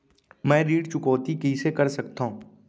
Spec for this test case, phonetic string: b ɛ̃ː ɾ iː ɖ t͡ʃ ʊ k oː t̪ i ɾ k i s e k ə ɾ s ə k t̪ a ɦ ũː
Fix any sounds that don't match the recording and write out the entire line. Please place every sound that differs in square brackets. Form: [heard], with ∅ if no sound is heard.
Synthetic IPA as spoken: [m] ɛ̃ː ɾ iː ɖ t͡ʃ ʊ k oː t̪ i [∅] k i s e k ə ɾ s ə k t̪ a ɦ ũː